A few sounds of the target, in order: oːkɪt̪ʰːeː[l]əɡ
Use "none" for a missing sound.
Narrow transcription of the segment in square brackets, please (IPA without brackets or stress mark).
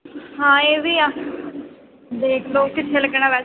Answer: l